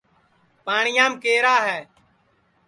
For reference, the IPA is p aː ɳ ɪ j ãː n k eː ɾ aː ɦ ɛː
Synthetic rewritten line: p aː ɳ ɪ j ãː m k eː ɾ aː ɦ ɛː